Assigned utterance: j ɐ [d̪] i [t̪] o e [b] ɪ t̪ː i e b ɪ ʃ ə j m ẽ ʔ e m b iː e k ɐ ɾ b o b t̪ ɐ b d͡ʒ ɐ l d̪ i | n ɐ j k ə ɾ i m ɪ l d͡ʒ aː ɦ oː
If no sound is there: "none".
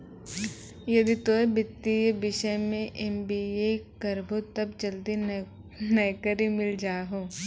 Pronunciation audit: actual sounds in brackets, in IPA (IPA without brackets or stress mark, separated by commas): d̪, t̪, b